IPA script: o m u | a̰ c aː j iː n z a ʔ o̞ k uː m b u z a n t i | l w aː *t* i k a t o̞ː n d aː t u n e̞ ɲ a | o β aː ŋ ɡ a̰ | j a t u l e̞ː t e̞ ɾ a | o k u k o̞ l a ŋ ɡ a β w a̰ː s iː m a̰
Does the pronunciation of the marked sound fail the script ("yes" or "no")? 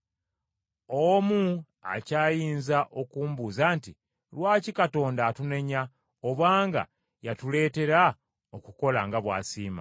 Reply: yes